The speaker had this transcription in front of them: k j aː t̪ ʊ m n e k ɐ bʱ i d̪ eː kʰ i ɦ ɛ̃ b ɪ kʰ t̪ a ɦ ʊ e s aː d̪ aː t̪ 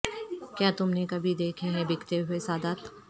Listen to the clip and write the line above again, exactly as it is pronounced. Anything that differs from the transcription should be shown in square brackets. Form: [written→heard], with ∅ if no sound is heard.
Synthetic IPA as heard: k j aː t̪ ʊ m n e k ɐ bʱ i d̪ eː kʰ [i→e] ɦ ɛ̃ b ɪ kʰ t̪ [a→e] ɦ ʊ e s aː d̪ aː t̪